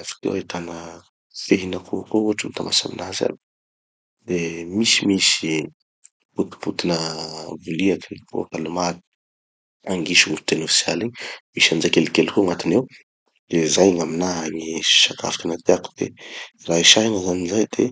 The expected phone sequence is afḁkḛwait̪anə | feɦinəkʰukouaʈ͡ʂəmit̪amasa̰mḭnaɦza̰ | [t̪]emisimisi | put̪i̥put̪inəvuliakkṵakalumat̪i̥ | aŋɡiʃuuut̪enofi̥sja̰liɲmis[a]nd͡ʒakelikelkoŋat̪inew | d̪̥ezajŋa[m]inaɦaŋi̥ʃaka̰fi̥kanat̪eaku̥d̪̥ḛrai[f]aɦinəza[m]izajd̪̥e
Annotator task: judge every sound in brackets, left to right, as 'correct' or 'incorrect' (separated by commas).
incorrect, correct, correct, incorrect, incorrect